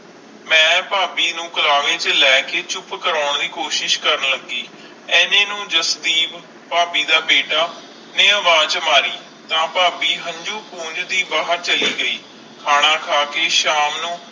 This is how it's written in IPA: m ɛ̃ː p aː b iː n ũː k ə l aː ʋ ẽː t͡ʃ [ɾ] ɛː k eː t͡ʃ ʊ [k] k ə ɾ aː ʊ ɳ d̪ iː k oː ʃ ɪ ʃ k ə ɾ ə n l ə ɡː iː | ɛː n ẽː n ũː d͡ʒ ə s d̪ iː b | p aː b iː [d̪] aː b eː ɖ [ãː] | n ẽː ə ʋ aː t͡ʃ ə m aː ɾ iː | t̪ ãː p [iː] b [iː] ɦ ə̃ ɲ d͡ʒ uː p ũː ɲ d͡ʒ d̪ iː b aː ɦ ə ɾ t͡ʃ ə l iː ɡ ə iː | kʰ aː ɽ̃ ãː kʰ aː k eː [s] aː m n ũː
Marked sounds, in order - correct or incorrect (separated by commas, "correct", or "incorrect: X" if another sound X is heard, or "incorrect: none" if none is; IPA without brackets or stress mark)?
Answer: incorrect: l, incorrect: p, correct, incorrect: aː, incorrect: aː, correct, incorrect: ʃ